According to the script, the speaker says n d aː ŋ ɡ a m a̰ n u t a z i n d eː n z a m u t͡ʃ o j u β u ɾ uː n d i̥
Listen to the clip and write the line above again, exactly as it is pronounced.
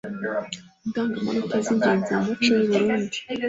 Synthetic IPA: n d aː ŋ ɡ a m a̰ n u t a z i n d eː n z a m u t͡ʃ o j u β u ɾ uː n d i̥